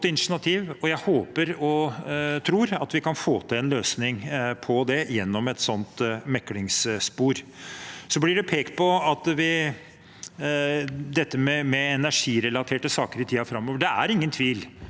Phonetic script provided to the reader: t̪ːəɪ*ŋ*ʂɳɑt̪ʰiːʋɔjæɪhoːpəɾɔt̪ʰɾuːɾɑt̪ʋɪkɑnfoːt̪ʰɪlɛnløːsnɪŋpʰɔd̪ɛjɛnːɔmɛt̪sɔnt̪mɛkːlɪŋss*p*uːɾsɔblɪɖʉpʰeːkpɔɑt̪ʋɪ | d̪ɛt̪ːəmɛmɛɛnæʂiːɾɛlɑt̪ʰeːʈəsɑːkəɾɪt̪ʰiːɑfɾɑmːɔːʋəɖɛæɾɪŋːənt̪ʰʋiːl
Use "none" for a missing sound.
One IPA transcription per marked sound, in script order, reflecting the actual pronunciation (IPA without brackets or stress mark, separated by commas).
n, p